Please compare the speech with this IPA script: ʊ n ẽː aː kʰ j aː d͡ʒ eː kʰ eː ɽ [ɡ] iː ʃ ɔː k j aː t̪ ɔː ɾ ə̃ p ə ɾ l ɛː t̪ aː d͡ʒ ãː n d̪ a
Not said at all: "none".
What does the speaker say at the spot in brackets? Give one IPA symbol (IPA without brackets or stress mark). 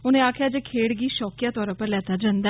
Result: ɡ